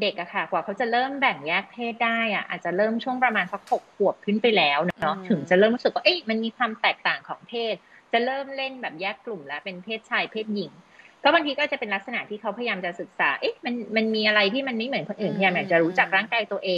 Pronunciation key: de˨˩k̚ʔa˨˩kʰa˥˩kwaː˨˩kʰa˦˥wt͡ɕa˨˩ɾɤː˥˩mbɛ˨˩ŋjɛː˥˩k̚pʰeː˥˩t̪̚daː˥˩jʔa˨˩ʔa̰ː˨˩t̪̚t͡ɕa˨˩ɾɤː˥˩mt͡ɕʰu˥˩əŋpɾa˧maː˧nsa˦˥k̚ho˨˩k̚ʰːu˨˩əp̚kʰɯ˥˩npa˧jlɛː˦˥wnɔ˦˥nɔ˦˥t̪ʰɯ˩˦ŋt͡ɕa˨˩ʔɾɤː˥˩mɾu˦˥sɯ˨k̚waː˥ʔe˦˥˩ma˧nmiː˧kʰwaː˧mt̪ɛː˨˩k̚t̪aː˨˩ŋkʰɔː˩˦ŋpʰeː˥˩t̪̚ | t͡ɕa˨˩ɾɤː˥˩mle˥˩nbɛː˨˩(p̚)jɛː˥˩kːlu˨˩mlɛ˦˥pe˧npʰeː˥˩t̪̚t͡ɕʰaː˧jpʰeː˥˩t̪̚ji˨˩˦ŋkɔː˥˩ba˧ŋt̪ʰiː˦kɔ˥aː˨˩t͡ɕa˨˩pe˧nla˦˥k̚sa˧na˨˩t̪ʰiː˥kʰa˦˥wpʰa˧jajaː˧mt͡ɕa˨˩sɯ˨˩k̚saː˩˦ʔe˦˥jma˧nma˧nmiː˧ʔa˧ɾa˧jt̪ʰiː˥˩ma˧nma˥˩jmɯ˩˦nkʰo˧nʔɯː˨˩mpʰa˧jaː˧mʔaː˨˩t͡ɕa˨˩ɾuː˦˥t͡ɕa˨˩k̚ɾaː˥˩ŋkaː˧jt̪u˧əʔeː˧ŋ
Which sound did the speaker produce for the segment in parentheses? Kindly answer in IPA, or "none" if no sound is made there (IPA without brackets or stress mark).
p̚